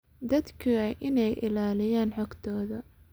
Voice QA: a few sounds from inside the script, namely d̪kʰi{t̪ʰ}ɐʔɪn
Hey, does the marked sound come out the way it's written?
no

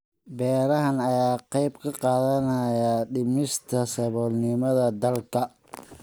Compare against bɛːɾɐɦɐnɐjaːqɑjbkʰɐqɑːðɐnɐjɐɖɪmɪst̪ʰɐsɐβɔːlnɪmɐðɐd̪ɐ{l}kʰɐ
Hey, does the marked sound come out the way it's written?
yes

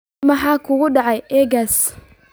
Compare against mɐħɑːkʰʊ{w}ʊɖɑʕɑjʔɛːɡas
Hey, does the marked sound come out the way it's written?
no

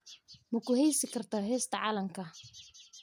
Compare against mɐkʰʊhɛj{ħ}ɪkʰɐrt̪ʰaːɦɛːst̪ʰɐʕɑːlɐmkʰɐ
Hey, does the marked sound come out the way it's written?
no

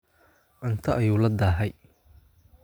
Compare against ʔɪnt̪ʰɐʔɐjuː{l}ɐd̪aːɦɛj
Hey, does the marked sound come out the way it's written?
yes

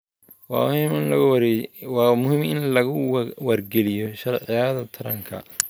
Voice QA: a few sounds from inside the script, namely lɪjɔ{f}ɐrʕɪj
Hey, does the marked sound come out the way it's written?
no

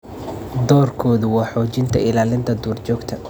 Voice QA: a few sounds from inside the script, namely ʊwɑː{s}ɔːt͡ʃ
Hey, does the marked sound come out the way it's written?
no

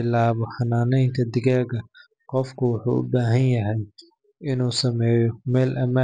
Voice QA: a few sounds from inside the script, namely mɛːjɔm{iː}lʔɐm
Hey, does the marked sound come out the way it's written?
no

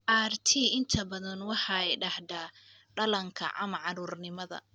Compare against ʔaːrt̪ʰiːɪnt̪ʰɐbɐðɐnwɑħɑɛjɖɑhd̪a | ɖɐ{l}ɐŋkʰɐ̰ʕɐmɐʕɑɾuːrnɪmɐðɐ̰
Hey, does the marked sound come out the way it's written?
yes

